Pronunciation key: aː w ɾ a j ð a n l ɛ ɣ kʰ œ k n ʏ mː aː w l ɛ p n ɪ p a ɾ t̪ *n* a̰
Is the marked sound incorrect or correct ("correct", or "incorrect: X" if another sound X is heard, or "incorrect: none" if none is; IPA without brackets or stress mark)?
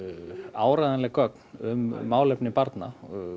correct